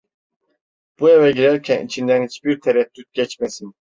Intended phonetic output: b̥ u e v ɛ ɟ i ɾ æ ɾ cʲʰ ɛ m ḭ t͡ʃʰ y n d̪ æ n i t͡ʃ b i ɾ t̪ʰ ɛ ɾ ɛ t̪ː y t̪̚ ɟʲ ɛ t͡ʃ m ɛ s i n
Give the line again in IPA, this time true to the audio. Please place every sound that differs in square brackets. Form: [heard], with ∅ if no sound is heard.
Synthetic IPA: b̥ u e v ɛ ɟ i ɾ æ ɾ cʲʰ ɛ [n] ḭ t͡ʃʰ [i] n d̪ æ n i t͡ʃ b i ɾ t̪ʰ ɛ ɾ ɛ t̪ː y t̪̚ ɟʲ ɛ t͡ʃ m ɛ s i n